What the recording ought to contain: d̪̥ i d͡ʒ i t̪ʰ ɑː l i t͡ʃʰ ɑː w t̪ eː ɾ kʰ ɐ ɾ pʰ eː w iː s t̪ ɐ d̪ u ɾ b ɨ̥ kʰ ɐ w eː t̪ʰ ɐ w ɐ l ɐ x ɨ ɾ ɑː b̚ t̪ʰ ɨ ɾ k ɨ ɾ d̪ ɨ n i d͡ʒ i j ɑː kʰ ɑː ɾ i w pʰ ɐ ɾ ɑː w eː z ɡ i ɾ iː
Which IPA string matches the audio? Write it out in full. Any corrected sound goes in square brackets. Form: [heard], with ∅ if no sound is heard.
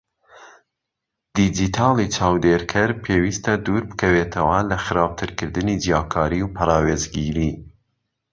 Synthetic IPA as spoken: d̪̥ i d͡ʒ i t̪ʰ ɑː l i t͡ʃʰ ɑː w [d̪] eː ɾ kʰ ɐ ɾ pʰ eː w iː s t̪ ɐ d̪ u ɾ b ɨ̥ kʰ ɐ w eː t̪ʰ ɐ w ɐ l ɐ x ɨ ɾ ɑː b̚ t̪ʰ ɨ ɾ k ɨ ɾ d̪ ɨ n i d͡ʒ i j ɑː kʰ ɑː ɾ i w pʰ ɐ ɾ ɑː w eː z ɡ i ɾ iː